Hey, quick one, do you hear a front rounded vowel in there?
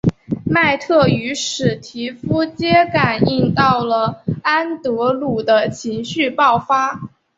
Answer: yes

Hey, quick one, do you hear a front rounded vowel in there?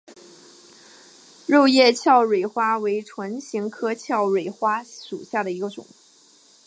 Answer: no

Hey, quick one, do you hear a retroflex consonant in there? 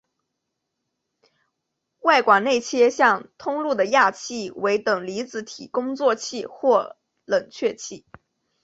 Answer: no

